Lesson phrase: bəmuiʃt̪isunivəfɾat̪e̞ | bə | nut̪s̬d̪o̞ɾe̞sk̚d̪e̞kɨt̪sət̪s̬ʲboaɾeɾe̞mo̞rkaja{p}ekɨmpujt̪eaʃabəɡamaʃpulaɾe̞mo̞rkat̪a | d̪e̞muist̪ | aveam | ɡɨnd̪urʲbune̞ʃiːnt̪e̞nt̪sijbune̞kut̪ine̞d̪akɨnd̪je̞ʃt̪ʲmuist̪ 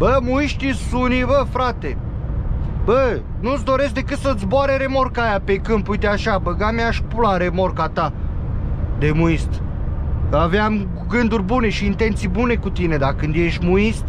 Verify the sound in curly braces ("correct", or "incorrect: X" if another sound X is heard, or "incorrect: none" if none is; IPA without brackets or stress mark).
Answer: correct